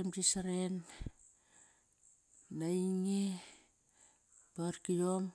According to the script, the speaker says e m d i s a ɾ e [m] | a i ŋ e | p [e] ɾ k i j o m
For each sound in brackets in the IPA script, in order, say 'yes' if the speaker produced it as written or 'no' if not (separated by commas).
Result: no, no